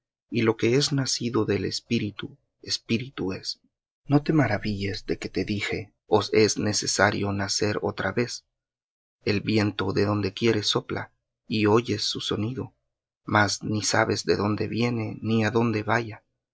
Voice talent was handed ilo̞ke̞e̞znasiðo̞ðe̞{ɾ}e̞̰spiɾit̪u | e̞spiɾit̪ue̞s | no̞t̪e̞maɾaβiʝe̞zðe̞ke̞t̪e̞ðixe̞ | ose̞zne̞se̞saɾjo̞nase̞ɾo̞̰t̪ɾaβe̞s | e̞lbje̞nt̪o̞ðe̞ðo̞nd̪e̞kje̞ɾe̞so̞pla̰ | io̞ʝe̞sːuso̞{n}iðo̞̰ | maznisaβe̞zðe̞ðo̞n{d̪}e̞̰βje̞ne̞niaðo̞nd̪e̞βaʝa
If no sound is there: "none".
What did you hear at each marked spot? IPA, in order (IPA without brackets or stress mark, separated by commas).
l, n, d̪